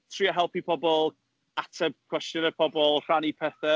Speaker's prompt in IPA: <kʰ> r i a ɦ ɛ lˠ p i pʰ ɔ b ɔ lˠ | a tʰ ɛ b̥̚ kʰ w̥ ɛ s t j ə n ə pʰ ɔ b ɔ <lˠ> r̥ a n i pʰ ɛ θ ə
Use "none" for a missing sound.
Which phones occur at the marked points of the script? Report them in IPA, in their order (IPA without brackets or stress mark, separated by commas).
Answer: tʰ, lˠ